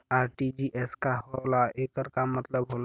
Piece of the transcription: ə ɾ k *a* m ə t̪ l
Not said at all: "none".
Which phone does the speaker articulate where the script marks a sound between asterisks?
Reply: a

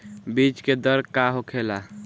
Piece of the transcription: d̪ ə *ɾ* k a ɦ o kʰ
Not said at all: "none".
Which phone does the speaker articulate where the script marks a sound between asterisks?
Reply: ɾ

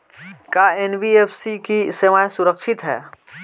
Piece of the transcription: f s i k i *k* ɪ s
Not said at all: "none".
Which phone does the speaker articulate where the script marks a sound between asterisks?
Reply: none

